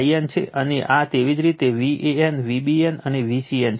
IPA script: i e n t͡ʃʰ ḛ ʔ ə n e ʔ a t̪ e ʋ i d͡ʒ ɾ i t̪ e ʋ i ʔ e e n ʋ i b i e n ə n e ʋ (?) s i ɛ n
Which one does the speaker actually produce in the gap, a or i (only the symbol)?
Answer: i